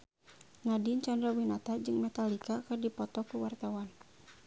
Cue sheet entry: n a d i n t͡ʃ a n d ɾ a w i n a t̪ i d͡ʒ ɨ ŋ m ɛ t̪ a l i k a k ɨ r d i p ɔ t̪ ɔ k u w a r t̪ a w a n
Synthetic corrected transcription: n a d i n t͡ʃ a n d ɾ a w i n a t̪ a d͡ʒ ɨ ŋ m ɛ t̪ a l i k a k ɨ r d i p ɔ t̪ ɔ k u w a r t̪ a w a n